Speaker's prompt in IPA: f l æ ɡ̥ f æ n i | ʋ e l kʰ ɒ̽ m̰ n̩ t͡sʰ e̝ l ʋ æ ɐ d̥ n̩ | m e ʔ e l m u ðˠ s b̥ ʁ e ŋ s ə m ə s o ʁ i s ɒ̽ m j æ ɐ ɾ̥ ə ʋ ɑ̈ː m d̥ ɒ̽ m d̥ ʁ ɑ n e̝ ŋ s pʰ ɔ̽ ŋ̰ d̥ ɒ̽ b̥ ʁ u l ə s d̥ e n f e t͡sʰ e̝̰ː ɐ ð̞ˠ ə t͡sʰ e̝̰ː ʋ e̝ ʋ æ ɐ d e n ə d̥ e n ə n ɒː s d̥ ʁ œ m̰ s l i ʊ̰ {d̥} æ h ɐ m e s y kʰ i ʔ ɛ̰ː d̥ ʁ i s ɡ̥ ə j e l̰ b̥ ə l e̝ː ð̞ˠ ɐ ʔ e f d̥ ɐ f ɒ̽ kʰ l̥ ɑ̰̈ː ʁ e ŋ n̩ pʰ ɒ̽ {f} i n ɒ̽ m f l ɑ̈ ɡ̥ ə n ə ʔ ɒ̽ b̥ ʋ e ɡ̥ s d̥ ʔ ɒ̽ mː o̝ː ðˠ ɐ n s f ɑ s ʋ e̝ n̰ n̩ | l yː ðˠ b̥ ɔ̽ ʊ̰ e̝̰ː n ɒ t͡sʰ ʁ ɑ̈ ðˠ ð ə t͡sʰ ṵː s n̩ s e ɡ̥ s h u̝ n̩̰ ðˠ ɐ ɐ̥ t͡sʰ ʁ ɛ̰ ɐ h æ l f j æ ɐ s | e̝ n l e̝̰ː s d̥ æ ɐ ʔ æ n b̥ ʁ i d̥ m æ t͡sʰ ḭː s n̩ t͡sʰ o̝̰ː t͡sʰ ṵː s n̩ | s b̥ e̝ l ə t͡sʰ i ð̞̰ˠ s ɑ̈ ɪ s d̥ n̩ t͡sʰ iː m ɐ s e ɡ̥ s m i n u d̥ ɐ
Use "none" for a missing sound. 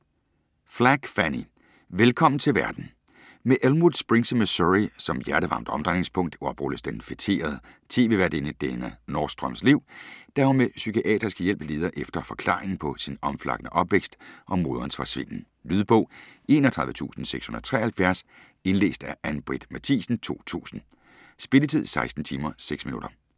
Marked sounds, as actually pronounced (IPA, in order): d̥, s

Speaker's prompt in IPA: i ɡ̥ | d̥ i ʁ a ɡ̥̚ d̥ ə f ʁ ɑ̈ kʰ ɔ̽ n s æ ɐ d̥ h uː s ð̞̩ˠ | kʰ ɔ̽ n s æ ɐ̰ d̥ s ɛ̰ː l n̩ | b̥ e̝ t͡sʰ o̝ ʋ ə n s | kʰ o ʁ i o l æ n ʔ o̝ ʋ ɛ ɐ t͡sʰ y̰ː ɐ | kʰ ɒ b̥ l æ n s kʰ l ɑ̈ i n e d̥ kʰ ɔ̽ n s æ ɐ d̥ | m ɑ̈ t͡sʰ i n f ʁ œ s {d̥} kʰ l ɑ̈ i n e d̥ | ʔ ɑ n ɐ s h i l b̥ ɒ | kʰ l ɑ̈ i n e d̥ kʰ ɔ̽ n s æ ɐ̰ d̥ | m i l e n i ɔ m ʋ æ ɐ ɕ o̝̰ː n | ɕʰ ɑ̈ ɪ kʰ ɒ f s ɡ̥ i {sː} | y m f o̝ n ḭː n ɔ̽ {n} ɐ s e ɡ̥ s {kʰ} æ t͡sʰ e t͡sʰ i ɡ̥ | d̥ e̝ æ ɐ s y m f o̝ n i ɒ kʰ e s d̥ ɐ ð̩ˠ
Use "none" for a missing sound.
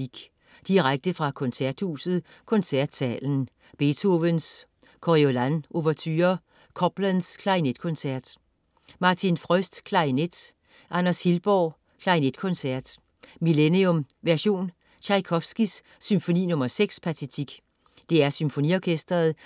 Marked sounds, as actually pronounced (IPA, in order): d̥, sː, m, pʰ

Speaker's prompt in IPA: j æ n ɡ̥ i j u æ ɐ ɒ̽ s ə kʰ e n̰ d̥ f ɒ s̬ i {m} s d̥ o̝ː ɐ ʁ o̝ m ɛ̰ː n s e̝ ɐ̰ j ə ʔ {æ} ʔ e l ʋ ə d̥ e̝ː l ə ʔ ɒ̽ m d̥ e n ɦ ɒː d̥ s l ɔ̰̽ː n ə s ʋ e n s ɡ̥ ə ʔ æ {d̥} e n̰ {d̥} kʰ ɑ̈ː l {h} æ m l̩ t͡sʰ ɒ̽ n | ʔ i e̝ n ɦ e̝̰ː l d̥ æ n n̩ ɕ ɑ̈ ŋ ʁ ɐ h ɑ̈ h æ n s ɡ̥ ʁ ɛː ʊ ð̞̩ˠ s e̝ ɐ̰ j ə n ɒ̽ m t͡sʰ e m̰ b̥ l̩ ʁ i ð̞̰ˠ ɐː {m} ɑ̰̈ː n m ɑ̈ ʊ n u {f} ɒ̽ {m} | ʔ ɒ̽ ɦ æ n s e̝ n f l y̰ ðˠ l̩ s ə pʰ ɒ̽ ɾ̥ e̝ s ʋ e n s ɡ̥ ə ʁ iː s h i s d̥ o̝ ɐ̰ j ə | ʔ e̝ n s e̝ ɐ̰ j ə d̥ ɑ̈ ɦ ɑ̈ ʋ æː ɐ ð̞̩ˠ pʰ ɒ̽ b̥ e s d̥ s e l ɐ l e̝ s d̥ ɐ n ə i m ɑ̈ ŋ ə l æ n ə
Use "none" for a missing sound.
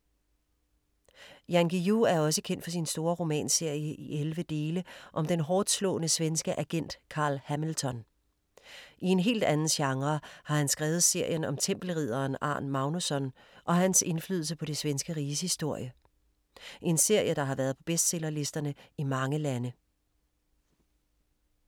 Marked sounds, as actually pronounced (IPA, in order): n, i, ɡ̥, d̥, h, n, s, n

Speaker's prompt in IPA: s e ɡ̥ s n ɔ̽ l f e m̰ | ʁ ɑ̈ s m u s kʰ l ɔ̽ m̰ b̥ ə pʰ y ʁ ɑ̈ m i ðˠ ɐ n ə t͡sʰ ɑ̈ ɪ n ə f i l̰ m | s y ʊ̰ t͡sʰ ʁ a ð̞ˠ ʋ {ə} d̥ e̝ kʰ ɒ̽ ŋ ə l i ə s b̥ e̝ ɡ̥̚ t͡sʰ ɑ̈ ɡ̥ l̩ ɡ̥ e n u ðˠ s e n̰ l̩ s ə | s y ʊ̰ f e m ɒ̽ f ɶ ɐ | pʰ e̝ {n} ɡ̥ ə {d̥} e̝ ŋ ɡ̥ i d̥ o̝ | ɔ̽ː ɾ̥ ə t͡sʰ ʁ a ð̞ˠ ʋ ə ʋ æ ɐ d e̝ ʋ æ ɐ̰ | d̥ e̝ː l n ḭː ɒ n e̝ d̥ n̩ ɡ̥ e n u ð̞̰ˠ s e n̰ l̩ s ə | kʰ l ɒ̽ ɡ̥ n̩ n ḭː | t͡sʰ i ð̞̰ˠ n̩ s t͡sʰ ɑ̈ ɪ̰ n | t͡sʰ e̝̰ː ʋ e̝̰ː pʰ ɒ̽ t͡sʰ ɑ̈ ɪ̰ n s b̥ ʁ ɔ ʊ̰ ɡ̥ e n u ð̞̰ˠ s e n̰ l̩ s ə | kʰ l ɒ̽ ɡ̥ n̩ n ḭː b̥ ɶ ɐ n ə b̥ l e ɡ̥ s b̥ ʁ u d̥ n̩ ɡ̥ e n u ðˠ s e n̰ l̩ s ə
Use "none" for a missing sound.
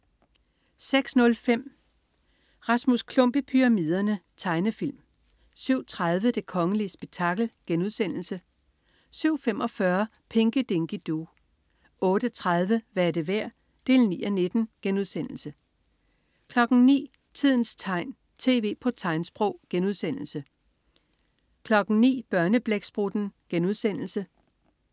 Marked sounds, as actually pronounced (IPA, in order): ə, ŋ, d̥

